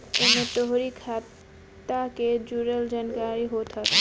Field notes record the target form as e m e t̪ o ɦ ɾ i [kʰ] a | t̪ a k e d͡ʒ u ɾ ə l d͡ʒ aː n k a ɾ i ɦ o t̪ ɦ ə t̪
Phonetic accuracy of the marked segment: correct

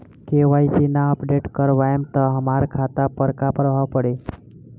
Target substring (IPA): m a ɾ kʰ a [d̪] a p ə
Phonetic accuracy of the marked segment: incorrect: t̪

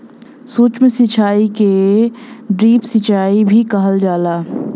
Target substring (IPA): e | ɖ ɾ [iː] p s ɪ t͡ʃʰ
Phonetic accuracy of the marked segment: correct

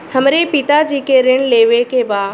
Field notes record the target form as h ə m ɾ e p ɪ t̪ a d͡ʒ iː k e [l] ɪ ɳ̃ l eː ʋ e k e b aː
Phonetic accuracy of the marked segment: incorrect: ɾ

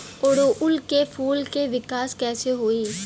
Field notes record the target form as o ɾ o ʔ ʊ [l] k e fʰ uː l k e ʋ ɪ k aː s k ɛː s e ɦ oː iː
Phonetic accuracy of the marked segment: correct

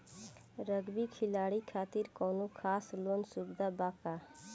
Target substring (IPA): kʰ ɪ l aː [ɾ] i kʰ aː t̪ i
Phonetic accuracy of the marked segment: incorrect: ɽ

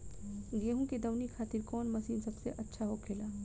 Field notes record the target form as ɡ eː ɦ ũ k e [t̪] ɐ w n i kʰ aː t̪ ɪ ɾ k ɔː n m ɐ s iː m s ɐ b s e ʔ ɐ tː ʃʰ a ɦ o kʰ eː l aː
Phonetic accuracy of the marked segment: incorrect: d̪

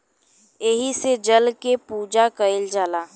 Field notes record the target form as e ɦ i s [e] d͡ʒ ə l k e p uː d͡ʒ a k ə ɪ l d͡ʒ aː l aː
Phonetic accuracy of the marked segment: correct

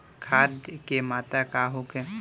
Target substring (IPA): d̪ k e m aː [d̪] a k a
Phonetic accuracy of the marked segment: incorrect: t̪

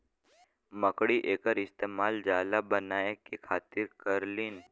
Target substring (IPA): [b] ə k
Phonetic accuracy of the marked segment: incorrect: m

